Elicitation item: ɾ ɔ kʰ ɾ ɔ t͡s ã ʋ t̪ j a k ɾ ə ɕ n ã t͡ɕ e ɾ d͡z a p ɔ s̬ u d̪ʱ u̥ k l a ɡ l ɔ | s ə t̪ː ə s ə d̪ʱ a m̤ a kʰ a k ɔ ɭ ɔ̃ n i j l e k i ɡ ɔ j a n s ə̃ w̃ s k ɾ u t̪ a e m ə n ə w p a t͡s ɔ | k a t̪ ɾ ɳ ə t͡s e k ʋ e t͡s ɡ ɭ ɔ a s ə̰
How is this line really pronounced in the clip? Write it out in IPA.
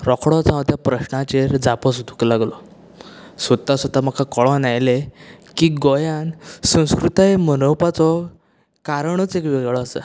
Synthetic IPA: ɾ ɔ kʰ ɽ ɔ t͡s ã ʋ t̪ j a p ɾ ə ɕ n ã t͡ɕ e ɾ d͡z a p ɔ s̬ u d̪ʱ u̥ k l a ɡ l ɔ | s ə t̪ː a s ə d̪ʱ a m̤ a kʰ a k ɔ ɭ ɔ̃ n a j l e k i ɡ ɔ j a n s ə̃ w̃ s k ɾ u t̪ a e m ə n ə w p a t͡s ɔ | k a ɾ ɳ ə t͡s e k ʋ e ɡ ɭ ɔ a s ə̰